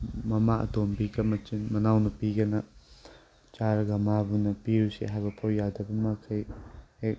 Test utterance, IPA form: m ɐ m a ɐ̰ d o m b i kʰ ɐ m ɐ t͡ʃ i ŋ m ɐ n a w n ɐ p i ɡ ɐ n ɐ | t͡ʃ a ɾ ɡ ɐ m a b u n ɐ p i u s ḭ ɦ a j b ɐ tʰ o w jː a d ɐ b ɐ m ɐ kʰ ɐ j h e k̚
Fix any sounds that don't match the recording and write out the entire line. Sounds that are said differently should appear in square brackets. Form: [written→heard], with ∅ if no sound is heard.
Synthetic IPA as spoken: m ɐ m a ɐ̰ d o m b i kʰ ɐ m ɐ t͡ʃ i [ŋ→n] m ɐ n a w n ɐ p i ɡ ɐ n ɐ | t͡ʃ a ɾ ɡ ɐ m a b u n ɐ p i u s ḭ ɦ a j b ɐ [tʰ→pʰ] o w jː a d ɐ b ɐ m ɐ kʰ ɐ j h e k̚